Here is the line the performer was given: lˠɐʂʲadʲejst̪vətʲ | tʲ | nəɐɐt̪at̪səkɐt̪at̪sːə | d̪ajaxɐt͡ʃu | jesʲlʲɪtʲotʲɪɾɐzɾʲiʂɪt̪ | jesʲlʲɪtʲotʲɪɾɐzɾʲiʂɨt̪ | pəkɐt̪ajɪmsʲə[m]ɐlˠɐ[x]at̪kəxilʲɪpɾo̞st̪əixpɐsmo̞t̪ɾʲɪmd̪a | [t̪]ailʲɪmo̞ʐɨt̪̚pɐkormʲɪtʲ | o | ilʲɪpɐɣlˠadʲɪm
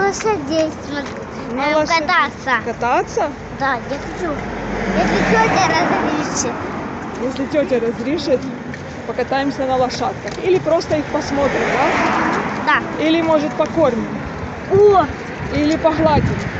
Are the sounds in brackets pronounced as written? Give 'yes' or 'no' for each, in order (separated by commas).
no, no, no